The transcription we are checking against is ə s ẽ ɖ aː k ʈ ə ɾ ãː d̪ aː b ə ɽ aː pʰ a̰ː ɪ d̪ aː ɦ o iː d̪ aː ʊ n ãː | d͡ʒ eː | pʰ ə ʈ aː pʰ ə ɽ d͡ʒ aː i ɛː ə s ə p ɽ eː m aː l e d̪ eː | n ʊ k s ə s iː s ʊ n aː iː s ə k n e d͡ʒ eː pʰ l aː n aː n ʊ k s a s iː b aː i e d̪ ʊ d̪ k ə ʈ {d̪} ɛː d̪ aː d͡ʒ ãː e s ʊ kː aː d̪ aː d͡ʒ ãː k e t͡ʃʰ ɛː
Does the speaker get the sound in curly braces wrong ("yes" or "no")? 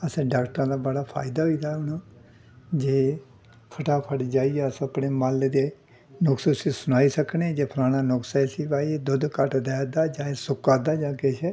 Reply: no